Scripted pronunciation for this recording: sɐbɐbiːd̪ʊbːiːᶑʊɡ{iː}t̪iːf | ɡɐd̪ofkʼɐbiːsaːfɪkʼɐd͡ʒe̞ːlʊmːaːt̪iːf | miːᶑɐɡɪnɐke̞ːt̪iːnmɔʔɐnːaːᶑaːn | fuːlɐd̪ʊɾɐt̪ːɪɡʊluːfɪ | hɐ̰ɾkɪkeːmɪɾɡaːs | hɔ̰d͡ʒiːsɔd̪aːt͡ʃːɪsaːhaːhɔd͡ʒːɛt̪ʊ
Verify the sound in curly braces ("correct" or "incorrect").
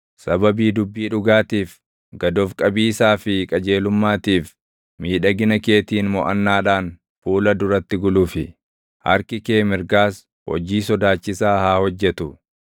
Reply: incorrect